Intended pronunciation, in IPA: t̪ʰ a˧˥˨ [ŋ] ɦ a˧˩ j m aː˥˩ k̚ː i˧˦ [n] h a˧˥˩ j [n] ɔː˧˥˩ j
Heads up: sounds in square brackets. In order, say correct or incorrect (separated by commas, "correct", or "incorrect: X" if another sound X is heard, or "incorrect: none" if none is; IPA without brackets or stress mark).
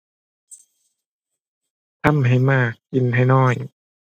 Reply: incorrect: m, correct, correct